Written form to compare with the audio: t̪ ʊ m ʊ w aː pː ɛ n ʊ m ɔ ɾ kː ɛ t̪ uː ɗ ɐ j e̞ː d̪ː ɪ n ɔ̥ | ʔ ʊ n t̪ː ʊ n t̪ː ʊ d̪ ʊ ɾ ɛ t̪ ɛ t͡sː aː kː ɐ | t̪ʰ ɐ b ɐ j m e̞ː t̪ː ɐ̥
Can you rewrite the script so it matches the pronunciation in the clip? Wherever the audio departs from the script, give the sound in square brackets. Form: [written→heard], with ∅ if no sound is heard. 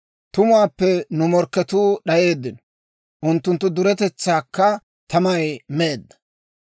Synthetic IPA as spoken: t̪ ʊ m ʊ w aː pː ɛ n ʊ m ɔ ɾ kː ɛ t̪ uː ɗ ɐ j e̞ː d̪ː ɪ n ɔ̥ | ʔ ʊ n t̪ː ʊ n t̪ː ʊ d̪ ʊ ɾ ɛ t̪ ɛ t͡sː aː kː ɐ | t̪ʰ ɐ [b→m] ɐ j m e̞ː [t̪ː→d̪ː] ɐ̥